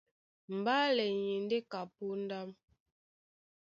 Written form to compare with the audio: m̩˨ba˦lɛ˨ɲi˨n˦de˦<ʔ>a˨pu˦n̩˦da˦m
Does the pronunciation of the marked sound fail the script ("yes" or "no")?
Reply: yes